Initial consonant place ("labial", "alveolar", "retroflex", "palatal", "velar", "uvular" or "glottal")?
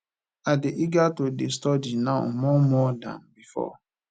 alveolar